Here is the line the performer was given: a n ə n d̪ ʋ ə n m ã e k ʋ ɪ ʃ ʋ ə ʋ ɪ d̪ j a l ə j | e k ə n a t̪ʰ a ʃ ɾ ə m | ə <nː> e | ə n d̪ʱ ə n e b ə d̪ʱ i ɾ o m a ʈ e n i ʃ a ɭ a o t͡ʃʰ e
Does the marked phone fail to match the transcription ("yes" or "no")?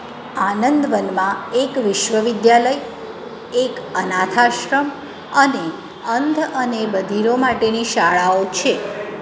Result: yes